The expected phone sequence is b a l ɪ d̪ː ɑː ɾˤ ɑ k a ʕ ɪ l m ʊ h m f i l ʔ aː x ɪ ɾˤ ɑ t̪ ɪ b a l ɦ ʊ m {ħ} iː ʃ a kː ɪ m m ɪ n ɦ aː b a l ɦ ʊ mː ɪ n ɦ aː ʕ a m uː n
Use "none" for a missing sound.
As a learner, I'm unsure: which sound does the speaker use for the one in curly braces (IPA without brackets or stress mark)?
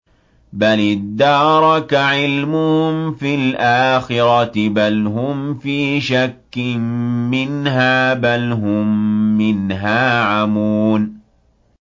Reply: f